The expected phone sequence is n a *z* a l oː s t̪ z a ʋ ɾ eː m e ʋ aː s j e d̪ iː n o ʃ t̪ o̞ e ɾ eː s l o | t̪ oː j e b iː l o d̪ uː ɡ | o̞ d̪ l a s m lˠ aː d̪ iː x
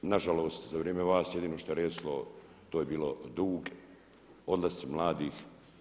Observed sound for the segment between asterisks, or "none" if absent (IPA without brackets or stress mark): ʒ